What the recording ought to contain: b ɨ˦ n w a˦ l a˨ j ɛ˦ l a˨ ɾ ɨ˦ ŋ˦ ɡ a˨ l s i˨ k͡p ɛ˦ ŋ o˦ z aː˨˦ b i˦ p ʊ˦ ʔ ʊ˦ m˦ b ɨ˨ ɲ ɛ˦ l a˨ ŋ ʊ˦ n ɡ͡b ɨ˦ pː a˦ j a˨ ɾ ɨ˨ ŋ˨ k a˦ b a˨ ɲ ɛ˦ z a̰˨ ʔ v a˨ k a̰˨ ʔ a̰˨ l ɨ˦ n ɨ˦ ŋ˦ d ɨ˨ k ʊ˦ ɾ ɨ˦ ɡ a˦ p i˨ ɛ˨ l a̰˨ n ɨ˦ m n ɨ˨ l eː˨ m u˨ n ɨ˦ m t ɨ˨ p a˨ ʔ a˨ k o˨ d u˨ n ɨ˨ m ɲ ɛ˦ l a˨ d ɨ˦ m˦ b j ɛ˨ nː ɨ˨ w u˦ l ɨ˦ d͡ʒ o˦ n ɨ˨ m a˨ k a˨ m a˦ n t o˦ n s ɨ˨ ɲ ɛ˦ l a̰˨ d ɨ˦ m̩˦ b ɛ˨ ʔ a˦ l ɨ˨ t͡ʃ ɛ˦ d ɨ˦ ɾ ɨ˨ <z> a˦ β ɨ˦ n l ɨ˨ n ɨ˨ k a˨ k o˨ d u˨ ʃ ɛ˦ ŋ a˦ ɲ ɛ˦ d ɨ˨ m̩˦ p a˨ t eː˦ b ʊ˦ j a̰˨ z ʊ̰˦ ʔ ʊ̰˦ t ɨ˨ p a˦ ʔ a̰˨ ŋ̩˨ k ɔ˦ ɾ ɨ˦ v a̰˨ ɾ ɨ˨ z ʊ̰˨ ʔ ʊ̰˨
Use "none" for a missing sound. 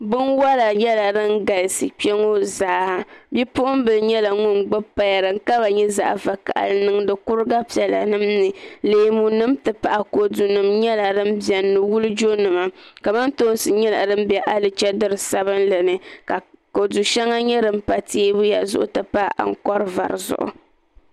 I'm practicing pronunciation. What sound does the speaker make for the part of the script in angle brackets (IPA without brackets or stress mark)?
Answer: s